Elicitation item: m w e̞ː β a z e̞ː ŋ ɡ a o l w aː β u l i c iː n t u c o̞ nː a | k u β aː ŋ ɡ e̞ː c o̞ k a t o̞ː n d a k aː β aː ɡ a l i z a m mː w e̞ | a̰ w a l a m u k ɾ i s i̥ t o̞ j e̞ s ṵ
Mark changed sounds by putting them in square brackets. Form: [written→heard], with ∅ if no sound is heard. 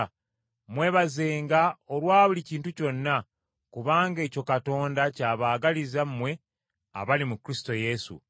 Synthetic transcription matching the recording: m w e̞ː β a z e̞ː ŋ ɡ a o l w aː β u l i c iː n t u c o̞ nː a | k u β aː ŋ ɡ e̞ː c o̞ k a t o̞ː n d a [k→c] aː β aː ɡ a l i z a m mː w e̞ | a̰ [w→β] a l [a→i] m u k ɾ i s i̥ t o̞ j e̞ s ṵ